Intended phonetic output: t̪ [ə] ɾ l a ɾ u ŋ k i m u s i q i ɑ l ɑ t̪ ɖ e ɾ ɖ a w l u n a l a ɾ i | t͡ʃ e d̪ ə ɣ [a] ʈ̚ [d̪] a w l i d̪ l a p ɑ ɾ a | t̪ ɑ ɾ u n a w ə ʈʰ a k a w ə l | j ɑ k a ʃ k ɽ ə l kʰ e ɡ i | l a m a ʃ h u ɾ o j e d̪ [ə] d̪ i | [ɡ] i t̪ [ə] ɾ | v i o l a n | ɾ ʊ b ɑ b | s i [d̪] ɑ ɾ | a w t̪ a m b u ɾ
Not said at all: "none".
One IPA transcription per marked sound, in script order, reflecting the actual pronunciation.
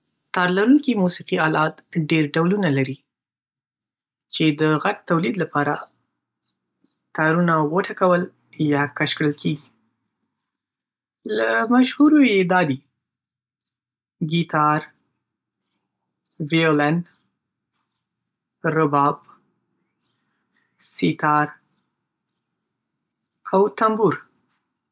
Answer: ɑ, a, t̪, ɑ, ɡ, ɑ, t̪

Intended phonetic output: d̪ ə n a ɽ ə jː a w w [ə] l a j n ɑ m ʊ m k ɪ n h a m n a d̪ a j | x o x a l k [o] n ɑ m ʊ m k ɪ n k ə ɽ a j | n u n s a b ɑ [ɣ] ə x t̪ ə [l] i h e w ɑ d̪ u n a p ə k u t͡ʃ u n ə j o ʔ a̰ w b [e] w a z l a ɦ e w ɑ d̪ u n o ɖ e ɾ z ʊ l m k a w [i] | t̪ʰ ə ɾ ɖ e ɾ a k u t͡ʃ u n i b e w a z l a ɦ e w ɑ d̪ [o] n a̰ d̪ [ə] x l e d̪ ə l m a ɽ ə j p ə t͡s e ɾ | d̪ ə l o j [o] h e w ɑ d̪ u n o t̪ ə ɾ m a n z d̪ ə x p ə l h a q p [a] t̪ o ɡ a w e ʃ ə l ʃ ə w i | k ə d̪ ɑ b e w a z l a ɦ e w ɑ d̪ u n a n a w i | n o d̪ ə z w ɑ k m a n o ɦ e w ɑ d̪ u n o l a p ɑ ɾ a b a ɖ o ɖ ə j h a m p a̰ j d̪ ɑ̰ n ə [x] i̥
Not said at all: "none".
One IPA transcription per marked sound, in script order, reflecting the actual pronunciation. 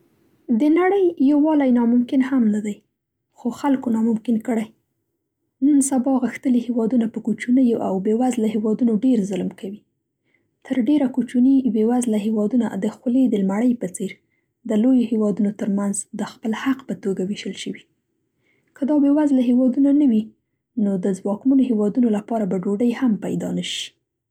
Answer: ɑ, o, ɣ, l, e, i, u, ə, o, ə, ʃ

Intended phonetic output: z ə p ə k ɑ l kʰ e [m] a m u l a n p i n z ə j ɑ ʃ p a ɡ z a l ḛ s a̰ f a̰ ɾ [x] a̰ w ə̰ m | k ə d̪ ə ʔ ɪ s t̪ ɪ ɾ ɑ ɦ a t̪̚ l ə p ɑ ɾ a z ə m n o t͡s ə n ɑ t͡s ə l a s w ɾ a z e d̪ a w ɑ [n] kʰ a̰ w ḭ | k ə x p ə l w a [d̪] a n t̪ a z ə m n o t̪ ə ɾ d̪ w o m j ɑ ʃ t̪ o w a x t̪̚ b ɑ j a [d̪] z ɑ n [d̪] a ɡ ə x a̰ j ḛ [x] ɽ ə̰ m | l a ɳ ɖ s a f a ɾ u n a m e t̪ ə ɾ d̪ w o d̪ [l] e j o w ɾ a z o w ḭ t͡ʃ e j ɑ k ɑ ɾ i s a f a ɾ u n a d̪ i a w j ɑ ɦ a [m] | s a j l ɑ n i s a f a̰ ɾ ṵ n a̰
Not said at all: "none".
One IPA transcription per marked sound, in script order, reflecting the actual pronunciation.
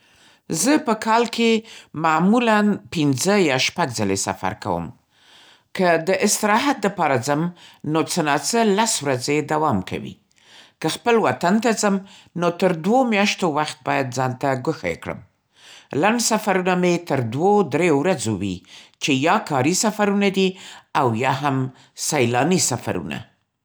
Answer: m, k, m, t̪, d̪, t̪, k, ɾ, m

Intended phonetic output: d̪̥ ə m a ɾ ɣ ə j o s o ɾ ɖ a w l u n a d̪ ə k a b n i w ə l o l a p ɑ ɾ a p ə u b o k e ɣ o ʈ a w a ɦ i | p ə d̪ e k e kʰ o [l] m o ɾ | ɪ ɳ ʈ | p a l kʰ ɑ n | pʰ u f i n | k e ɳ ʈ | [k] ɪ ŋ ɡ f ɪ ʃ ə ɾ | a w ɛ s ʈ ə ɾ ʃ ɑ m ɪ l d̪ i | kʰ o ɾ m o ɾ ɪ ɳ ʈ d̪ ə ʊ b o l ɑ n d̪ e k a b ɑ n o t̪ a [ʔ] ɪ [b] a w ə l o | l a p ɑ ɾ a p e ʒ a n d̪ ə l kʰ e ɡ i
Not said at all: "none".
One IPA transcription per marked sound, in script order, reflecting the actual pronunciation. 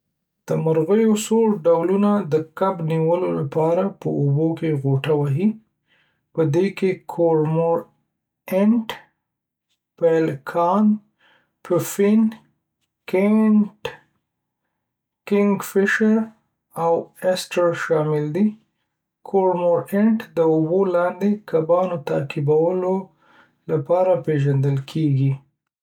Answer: ɾ, k, k, b

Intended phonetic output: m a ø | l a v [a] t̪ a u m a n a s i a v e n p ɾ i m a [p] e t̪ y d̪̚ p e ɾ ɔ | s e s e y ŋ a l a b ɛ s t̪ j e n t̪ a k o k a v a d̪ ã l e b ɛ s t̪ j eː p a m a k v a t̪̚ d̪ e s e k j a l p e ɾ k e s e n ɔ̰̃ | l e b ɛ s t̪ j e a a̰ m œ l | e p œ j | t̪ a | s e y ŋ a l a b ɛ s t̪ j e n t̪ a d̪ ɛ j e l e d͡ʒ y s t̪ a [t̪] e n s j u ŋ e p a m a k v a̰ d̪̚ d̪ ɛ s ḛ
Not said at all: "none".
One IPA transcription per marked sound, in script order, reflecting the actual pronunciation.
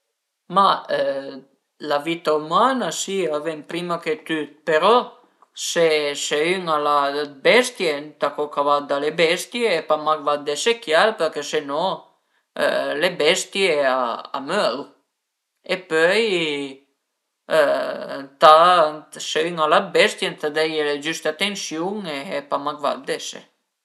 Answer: i, k, t̪

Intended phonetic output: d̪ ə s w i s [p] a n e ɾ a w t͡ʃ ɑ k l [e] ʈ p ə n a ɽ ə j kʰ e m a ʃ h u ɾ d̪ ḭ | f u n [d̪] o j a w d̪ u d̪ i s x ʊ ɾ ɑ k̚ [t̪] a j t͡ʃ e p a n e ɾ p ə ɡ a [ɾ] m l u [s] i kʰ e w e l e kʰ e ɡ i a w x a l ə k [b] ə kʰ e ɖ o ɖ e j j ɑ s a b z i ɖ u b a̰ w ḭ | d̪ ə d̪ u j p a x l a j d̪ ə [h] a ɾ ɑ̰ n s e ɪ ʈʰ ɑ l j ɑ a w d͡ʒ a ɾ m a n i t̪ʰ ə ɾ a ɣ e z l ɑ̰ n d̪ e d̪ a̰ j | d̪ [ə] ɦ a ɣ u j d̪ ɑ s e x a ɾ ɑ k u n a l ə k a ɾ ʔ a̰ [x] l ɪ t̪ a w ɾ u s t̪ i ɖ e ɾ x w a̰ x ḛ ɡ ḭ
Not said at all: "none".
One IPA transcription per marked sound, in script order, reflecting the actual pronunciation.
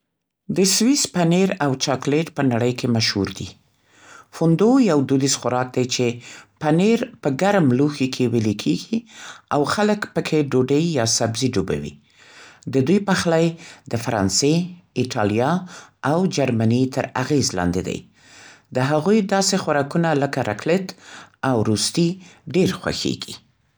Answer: p, e, d̪, d̪, ɾ, x, p, f, ə, k

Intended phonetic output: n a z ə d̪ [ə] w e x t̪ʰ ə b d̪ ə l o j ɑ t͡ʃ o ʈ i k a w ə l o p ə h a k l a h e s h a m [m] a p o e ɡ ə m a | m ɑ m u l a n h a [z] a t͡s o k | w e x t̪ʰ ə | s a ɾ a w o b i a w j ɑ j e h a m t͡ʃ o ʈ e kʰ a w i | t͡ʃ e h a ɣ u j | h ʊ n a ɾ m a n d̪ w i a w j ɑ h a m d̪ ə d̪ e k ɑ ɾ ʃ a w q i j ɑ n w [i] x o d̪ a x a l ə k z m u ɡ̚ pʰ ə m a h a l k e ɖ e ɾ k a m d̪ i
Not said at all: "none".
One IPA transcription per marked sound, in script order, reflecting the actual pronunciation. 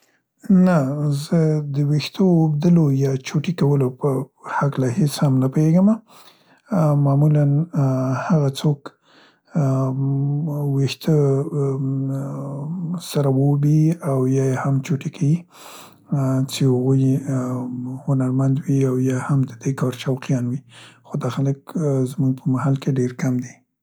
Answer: ə, n, ɣ, i

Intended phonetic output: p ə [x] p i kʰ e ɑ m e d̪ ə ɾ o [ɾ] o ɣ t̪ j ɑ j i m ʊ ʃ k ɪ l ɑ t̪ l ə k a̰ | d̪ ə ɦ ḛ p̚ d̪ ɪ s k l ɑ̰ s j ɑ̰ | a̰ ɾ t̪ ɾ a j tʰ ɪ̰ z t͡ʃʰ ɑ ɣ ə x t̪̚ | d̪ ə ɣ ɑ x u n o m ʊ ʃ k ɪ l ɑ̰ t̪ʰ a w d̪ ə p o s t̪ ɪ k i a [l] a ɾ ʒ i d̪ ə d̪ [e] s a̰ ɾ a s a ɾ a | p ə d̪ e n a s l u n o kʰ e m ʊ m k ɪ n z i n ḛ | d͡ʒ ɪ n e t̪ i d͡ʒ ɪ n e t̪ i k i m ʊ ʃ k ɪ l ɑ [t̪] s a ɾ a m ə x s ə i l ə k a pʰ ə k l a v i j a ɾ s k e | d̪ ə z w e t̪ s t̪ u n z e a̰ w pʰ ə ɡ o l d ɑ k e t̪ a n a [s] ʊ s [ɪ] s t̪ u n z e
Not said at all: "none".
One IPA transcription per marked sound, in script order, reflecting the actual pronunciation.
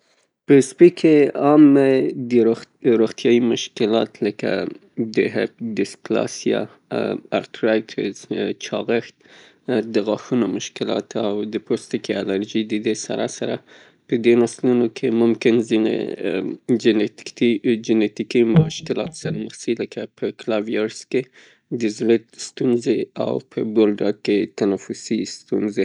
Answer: s, ɾ, l, e, t̪, f, i

